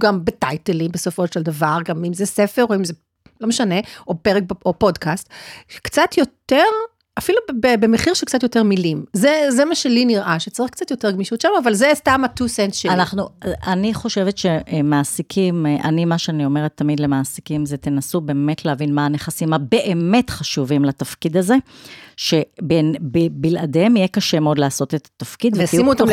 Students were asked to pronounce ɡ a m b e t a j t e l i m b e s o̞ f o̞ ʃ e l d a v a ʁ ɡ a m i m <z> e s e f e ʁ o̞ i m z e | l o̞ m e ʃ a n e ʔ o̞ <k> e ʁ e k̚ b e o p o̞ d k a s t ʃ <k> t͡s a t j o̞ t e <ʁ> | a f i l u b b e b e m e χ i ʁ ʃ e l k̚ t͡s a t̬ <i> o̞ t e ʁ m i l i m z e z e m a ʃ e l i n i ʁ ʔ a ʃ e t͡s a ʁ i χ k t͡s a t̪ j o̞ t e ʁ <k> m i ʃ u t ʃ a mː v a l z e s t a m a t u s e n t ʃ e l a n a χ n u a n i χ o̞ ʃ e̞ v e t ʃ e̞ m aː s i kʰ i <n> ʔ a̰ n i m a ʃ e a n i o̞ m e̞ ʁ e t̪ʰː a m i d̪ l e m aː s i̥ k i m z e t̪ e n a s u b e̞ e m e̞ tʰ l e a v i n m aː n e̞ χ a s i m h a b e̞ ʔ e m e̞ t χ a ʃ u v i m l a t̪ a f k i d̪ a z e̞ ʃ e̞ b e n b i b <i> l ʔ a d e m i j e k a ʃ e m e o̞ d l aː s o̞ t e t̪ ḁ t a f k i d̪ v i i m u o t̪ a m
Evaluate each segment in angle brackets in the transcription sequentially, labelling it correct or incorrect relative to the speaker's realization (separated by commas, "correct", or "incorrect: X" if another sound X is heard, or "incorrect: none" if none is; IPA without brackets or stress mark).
correct, incorrect: p, correct, correct, incorrect: j, incorrect: ɡ, incorrect: m, correct